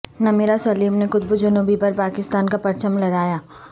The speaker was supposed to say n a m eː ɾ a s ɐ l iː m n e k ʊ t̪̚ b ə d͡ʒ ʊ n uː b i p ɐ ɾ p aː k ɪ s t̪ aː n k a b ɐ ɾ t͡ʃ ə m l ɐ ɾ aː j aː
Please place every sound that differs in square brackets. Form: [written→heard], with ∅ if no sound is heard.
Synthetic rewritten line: n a m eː ɾ a s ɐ l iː m n e k ʊ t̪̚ b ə d͡ʒ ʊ n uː b i p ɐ ɾ p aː k ɪ s t̪ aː n k a [b→p] ɐ ɾ t͡ʃ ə m l ɐ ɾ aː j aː